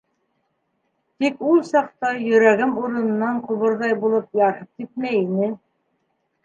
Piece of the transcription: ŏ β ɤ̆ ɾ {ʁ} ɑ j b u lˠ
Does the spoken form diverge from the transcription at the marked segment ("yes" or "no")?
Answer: yes